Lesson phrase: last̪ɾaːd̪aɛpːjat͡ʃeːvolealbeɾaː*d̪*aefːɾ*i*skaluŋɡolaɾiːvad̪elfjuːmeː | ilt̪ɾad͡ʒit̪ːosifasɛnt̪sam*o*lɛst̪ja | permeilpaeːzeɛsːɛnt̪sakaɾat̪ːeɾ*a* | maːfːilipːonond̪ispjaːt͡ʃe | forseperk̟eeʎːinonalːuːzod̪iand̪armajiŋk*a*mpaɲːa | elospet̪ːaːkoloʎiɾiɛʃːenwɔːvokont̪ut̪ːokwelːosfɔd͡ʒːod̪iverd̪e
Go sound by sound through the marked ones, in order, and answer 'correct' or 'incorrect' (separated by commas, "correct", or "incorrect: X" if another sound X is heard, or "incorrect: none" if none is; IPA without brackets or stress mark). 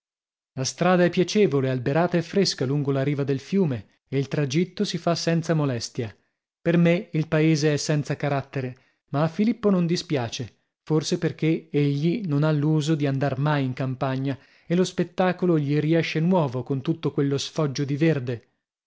incorrect: t̪, incorrect: e, correct, incorrect: e, correct